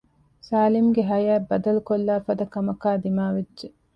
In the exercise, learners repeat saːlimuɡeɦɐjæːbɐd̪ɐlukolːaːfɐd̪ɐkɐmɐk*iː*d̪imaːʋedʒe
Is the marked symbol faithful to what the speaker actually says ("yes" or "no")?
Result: no